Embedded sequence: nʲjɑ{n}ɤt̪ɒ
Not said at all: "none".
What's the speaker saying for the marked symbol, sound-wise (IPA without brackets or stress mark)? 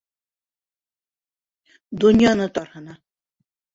n